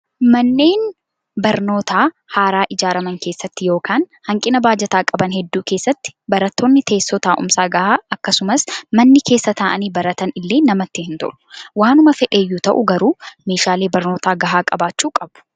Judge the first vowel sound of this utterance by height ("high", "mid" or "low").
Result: low